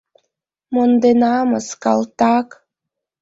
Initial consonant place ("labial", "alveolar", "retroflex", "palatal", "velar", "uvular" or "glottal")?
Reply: labial